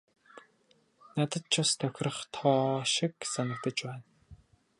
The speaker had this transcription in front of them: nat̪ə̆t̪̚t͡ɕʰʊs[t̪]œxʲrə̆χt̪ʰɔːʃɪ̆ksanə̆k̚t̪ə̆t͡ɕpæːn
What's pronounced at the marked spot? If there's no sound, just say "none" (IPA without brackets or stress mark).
t̪ʰ